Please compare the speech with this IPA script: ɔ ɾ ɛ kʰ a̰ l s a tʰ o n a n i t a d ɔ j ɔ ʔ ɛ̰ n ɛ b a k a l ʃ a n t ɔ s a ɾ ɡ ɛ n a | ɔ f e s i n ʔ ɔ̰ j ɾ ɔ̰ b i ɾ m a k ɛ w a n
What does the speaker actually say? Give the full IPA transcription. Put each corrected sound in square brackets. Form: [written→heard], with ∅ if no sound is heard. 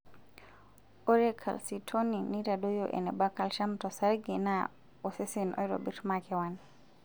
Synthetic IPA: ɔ ɾ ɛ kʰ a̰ l s [a→i] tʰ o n [a→i] n i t a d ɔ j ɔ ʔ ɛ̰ n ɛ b a k a l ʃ a [n→m] t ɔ s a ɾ ɡ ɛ n a | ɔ [f→s] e s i n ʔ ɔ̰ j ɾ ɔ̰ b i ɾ m a k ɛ w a n